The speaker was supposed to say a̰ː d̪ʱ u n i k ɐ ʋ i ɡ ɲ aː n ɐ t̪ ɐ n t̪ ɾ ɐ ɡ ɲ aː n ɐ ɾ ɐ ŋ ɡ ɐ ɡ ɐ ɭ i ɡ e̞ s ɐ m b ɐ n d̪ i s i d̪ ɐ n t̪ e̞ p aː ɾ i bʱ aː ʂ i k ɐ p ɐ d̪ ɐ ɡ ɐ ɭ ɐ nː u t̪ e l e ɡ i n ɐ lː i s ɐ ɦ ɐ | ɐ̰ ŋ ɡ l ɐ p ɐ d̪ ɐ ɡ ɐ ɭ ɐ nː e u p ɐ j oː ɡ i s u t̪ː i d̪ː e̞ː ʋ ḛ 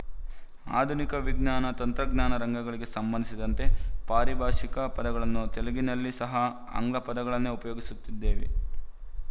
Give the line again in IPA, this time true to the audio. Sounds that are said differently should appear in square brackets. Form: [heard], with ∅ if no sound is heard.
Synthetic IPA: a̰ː d̪ʱ u n i k ɐ ʋ i ɡ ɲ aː n ɐ t̪ ɐ n t̪ ɾ ɐ ɡ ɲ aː n ɐ ɾ ɐ ŋ ɡ ɐ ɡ ɐ ɭ i ɡ e̞ s ɐ m b ɐ n d̪ i s i d̪ ɐ n t̪ e̞ p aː ɾ i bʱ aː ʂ i k ɐ p ɐ d̪ ɐ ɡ ɐ ɭ ɐ nː u t̪ e l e ɡ i n ɐ lː i s ɐ ɦ ɐ | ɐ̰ ŋ ɡ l ɐ p ɐ d̪ ɐ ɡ ɐ ɭ ɐ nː e u p ɐ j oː ɡ i s u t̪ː i d̪ː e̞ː ʋ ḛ